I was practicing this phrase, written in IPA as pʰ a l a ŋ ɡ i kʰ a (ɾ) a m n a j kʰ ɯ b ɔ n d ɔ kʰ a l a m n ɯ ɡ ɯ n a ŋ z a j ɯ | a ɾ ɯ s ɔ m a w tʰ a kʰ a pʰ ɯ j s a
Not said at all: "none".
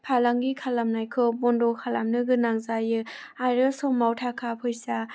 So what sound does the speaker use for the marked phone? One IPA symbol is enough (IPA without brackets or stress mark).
l